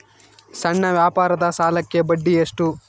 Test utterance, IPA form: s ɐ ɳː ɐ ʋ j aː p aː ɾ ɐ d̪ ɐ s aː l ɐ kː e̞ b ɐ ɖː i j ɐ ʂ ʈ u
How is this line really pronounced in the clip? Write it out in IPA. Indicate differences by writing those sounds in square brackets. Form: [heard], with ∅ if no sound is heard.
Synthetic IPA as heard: s ɐ ɳː ɐ ʋ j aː p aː ɾ ɐ d̪ ɐ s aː l ɐ kː e̞ b ɐ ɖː i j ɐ ʂ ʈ u